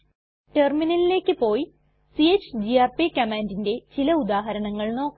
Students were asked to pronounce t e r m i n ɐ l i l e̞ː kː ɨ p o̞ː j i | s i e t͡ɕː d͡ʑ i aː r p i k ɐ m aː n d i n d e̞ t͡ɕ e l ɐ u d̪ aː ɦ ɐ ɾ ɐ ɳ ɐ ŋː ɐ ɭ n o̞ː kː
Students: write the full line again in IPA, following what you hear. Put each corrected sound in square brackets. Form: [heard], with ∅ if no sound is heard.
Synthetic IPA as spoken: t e r m i n ɐ l i l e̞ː kː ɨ p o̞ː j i | s i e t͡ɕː d͡ʑ i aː r p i k ɐ m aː n d i n d e̞ t͡ɕ [i] l ɐ u d̪ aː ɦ ɐ ɾ ɐ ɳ ɐ ŋː ɐ ɭ n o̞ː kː